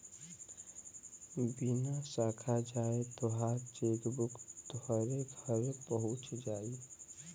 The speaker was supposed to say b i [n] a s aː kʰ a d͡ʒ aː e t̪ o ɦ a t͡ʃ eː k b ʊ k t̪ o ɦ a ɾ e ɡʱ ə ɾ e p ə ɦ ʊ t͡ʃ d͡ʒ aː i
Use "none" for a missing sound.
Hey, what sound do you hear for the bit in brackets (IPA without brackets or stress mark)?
n